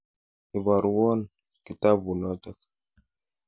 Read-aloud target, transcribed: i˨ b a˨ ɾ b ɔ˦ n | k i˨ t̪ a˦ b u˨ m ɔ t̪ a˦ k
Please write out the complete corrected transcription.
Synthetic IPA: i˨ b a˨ ɾ w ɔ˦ n | k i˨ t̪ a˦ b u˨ n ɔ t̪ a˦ k